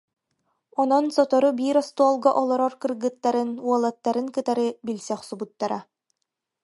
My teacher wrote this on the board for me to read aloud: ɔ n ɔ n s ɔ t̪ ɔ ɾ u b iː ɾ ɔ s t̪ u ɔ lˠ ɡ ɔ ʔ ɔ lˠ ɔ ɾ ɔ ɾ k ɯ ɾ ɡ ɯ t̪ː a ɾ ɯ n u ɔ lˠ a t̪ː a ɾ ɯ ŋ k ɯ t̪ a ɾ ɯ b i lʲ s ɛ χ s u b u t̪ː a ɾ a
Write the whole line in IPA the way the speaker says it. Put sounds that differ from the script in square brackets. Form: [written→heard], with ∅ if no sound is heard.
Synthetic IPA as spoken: ɔ n ɔ n s ɔ t̪ ɔ ɾ u b iː ɾ ɔ s t̪ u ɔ lˠ ɡ ɔ ʔ ɔ lˠ ɔ ɾ ɔ ɾ k ɯ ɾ ɡ ɯ t̪ː a ɾ ɯ n u ɔ lˠ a t̪ː a ɾ ɯ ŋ k ɯ t̪ a ɾ ɯ b i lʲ s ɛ χ s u b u t̪ː a ɾ a